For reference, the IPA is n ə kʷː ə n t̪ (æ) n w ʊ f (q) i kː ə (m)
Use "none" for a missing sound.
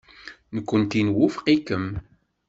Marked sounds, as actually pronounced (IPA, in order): i, q, m

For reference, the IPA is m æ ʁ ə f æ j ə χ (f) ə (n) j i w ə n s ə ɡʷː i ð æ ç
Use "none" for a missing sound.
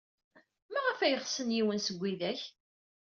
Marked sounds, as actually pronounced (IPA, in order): s, n

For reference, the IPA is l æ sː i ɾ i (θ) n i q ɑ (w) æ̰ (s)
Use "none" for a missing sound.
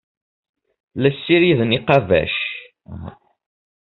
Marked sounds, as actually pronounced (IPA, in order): ð, v, ʃ

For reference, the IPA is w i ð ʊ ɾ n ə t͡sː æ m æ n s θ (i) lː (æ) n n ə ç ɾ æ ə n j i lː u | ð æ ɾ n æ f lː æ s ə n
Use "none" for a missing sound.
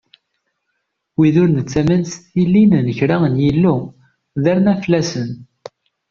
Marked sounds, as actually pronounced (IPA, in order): i, i

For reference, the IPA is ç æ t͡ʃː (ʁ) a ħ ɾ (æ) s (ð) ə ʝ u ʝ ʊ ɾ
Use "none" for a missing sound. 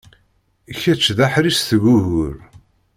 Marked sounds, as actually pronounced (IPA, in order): ð, i, θ

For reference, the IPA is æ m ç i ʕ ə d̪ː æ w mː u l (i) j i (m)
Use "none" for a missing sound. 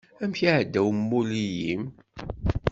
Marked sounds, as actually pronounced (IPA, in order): i, m

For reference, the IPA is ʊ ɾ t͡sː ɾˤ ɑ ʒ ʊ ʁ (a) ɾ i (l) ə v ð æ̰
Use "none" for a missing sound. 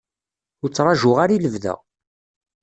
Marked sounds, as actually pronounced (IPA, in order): a, l

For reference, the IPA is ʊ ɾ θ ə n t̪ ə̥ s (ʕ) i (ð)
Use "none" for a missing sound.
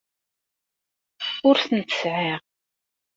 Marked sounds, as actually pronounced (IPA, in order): ʕ, ʁ

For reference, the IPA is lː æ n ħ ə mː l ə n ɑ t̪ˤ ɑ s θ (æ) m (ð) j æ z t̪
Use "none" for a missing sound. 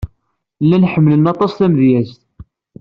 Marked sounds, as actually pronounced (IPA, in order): æ, ð

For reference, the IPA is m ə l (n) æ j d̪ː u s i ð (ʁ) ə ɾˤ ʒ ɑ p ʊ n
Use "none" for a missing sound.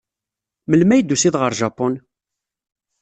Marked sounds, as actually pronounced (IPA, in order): m, ʁ

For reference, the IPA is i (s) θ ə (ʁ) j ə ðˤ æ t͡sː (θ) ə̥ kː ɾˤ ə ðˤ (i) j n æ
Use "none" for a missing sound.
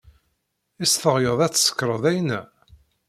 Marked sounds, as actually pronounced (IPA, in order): s, ʁ, s, æ

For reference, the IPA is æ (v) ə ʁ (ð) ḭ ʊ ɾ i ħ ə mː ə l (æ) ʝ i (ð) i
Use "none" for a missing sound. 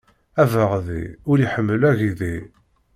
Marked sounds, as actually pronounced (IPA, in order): v, ð, æ, ð

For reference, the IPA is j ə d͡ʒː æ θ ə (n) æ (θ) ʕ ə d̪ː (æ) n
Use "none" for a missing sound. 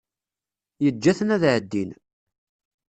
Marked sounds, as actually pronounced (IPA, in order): n, ð, i

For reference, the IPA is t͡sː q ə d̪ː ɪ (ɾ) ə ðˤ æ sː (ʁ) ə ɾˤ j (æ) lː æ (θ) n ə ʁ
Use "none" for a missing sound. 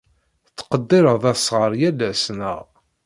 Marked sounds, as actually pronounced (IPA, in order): ɾ, ʁ, æ, s

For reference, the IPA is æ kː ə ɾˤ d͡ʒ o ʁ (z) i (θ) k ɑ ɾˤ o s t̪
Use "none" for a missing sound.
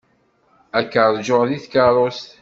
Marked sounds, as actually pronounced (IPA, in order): ð, θ

